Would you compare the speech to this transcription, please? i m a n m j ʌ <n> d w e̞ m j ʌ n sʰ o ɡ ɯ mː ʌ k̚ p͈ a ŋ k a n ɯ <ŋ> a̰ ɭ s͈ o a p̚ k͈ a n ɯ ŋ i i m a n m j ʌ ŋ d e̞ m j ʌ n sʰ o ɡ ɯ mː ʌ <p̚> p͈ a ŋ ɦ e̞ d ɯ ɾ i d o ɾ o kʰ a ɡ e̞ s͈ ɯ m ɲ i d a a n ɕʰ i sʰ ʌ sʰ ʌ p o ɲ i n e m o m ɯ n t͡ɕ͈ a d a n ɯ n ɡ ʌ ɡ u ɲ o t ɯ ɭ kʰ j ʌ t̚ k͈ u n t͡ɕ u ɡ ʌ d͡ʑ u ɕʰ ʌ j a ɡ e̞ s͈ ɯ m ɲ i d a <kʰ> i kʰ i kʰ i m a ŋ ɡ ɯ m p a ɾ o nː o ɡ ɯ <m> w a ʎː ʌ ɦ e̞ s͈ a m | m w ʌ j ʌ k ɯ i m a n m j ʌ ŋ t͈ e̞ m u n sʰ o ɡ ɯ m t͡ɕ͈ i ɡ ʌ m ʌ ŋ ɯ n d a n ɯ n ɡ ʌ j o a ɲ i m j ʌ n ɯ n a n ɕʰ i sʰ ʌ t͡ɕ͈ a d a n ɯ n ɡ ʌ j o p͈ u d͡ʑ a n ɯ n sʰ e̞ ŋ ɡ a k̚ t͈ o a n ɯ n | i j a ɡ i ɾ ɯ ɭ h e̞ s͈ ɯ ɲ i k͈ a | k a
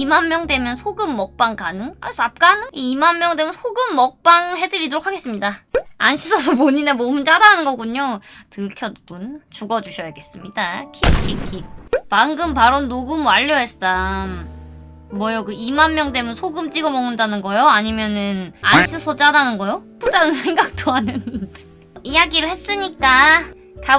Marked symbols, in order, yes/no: no, yes, no, yes, yes

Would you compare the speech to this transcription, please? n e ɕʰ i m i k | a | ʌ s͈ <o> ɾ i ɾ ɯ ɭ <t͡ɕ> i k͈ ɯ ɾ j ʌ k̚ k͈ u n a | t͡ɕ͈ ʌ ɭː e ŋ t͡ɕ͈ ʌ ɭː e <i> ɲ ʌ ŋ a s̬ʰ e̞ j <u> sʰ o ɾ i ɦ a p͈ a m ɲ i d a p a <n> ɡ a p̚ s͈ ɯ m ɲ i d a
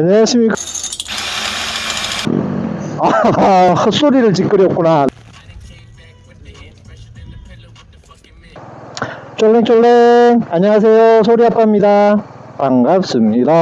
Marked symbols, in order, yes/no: yes, yes, no, no, no

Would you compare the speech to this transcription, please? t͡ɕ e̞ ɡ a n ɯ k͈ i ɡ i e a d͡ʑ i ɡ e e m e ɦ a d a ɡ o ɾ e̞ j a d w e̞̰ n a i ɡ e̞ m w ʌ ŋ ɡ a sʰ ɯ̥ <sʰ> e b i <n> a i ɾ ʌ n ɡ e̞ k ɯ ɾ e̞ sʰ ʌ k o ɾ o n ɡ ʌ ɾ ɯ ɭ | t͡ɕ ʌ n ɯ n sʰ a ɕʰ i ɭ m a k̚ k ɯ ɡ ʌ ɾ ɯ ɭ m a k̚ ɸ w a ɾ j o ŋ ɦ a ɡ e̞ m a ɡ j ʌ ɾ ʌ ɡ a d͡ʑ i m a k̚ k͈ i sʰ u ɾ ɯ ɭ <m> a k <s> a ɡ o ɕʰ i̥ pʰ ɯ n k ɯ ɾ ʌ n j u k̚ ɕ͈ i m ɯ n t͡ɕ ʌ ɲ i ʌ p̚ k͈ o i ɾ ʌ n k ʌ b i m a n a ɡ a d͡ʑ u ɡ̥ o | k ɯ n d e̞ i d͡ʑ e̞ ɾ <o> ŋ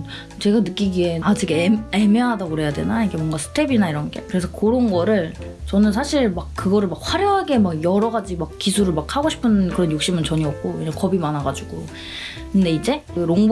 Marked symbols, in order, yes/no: no, yes, yes, no, yes

